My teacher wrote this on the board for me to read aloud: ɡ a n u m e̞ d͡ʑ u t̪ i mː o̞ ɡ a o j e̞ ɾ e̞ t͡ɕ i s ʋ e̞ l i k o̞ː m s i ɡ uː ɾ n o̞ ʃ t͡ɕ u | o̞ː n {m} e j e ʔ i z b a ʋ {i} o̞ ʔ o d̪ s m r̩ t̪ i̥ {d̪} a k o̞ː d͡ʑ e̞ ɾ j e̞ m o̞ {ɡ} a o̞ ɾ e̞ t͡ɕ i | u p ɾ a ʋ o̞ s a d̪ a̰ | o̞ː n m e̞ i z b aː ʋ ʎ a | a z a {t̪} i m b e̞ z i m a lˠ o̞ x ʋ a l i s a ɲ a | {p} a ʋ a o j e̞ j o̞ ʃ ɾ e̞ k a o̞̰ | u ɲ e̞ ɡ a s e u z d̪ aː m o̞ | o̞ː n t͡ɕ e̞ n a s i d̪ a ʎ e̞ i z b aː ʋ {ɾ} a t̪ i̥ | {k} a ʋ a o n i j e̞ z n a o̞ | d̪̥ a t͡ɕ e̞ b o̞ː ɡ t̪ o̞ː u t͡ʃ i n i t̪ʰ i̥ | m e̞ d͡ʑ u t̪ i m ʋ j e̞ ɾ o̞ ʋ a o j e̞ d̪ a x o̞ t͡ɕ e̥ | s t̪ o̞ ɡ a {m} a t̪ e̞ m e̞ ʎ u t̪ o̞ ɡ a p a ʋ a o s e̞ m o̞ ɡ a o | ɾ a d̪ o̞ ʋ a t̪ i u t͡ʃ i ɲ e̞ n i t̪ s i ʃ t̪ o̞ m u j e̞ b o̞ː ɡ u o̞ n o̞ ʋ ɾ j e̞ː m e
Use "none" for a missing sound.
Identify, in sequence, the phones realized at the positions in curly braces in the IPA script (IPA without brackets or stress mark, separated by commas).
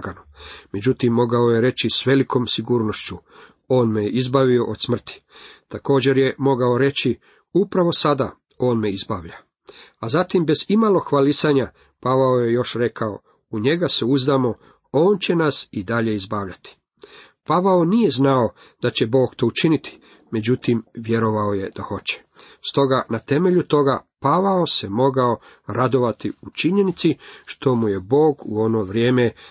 m, i, t̪, ɡ, t̪, p, ʎ, p, n